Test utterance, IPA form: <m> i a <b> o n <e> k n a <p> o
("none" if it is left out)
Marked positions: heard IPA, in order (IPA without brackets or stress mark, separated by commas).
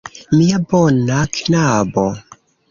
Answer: m, b, a, b